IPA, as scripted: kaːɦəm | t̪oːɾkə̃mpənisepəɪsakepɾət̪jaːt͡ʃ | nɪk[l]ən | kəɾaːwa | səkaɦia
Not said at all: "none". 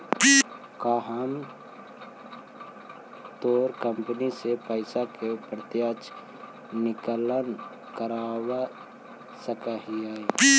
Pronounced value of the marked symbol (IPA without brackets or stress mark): l